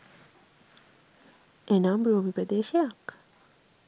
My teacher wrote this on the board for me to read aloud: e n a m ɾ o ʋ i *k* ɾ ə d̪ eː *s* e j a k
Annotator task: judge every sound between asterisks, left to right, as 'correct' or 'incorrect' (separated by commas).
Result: incorrect, incorrect